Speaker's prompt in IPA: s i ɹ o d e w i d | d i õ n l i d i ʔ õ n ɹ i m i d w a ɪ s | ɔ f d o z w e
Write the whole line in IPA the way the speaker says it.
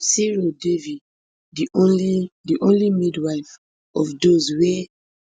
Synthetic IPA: s i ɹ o d e v i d | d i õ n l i d i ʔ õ n l i m i d w a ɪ f | ɔ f d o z w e